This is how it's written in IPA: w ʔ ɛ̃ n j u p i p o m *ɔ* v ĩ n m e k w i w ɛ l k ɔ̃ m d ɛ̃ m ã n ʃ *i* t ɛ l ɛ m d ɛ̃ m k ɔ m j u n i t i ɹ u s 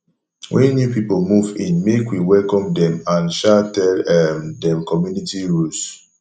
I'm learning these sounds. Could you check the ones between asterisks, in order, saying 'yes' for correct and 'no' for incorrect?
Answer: no, no

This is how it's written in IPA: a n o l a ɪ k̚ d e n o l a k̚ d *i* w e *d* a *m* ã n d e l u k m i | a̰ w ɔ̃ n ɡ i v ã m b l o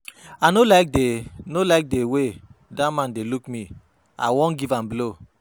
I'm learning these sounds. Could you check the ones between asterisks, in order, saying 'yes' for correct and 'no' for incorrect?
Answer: no, yes, yes

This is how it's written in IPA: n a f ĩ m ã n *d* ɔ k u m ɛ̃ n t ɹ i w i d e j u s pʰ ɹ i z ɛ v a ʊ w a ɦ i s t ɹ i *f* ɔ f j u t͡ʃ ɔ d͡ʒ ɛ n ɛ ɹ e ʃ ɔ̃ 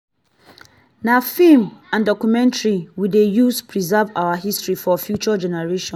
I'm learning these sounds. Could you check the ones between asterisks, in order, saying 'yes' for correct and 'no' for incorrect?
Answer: yes, yes

